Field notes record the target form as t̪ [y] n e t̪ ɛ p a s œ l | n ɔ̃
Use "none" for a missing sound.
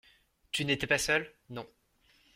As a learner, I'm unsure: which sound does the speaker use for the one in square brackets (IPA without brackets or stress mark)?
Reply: y